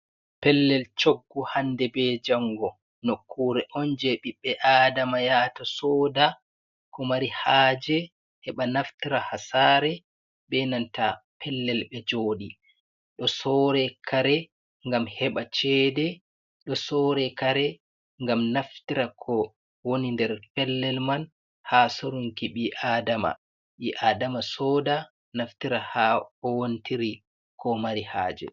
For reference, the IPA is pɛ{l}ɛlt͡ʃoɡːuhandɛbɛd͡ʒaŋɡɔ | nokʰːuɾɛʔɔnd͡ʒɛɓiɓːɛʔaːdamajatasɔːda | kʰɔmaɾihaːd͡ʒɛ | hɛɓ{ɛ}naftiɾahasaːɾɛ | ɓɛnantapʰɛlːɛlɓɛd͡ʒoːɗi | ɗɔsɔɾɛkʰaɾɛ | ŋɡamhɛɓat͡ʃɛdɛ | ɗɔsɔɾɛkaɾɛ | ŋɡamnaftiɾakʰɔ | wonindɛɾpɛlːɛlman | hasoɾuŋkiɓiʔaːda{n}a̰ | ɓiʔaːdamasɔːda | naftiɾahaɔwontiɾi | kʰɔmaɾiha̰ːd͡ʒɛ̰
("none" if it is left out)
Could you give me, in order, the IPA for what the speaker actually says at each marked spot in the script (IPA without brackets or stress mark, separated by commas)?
lː, a, m